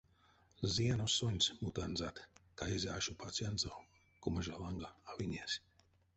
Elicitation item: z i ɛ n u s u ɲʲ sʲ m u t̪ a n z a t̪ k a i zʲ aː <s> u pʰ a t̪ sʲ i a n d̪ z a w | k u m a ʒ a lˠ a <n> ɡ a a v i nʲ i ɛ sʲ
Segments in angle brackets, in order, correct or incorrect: incorrect: ʃ, incorrect: ŋ

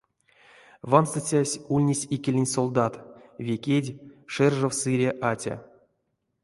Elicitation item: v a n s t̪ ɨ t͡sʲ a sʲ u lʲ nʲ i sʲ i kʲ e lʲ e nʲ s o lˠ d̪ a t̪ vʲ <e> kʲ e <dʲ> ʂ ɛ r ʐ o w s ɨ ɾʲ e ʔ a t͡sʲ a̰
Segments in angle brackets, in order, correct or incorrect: correct, correct

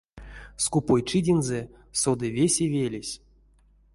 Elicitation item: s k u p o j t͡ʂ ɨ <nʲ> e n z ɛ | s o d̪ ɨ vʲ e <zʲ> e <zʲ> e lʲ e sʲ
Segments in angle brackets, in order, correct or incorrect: incorrect: dʲ, incorrect: sʲ, incorrect: vʲ

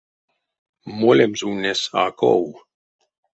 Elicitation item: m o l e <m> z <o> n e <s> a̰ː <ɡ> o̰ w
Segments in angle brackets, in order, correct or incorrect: correct, incorrect: u, correct, incorrect: k

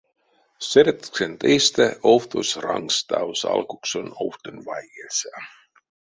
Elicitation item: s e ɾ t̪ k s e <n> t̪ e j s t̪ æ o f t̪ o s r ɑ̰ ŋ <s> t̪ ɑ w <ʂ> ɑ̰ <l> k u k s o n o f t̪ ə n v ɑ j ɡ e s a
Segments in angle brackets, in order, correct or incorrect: correct, correct, incorrect: s, correct

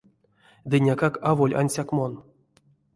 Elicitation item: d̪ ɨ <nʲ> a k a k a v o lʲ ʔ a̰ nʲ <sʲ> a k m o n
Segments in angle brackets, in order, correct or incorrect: correct, correct

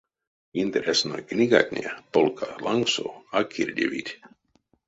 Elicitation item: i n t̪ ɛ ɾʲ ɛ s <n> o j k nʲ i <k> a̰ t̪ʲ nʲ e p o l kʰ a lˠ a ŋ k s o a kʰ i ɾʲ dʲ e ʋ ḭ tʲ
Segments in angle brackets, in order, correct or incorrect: correct, incorrect: ɡ

